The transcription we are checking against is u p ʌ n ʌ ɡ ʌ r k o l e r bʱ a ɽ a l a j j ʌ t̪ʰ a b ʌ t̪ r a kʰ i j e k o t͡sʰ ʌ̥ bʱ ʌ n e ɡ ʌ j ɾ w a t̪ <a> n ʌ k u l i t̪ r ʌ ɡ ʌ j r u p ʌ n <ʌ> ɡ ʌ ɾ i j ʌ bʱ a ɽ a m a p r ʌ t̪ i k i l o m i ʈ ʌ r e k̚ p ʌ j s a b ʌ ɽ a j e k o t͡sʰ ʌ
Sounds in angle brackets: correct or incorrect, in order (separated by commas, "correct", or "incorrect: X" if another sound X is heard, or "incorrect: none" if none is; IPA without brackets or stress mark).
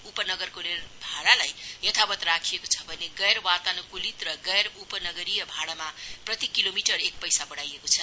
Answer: correct, correct